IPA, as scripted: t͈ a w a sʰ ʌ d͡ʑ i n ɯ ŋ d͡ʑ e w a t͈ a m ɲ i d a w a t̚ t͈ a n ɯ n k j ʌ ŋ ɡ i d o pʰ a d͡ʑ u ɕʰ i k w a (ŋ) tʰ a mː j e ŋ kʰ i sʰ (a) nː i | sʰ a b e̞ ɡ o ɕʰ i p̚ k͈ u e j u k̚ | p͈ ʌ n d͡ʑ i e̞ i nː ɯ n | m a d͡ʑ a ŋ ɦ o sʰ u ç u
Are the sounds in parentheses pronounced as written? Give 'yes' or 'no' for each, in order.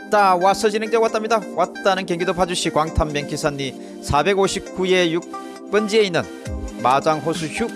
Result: yes, yes

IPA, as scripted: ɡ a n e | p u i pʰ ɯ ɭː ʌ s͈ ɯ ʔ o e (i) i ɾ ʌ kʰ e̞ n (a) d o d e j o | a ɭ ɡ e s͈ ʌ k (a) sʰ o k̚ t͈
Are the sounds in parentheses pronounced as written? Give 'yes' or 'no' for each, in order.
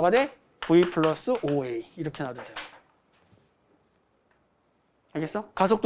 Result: yes, yes, yes

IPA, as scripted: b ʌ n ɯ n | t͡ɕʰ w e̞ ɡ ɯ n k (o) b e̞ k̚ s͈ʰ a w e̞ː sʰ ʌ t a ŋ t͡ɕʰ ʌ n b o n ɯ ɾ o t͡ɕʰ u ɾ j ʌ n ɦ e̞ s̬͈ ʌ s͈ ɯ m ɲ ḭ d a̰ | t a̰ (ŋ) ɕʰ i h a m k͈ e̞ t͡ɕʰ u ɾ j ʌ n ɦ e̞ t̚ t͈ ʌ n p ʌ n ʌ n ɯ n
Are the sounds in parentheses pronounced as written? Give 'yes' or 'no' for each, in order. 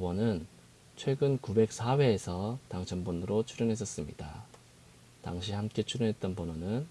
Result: no, yes

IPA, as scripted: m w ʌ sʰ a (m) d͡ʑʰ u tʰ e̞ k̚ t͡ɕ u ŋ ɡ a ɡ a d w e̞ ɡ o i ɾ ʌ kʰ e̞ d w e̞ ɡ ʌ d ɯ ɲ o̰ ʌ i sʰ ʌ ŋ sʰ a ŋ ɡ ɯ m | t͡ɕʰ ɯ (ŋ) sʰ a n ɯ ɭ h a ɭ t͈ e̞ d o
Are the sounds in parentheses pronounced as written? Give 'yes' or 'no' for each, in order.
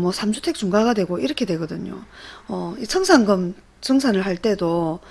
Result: yes, yes

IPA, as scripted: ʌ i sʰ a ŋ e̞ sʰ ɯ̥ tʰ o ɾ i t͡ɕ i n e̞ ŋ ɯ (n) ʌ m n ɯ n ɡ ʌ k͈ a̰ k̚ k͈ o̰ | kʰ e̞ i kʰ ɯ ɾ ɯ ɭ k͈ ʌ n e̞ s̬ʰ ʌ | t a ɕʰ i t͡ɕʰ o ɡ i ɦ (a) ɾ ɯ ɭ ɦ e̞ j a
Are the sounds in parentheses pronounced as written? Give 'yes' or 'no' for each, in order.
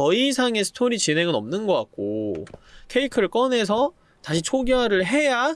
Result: yes, yes

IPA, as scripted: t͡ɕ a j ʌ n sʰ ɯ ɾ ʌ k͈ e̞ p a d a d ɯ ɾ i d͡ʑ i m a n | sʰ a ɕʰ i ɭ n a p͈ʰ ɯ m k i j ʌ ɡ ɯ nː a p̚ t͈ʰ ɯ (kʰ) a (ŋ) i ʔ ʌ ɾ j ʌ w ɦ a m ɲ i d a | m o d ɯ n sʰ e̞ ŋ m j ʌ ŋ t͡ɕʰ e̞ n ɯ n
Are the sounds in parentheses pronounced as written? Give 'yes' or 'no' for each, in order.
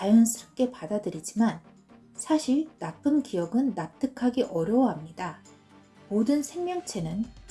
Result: yes, no

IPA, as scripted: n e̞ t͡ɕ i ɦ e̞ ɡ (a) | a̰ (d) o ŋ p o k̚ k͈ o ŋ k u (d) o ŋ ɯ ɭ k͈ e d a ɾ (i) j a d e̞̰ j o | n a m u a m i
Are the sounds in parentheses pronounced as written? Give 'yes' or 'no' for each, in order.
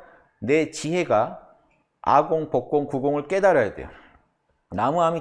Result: yes, no, no, no

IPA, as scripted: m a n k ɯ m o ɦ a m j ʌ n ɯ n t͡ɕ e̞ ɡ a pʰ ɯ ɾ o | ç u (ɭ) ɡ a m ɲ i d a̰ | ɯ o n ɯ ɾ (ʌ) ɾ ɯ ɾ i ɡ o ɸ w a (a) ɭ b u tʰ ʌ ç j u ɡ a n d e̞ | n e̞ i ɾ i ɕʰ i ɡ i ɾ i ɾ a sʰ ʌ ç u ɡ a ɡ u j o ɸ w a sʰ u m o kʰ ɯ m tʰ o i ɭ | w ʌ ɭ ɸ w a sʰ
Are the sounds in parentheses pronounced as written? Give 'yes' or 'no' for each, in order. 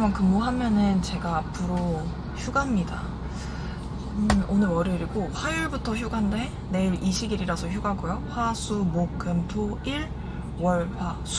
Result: no, yes, no

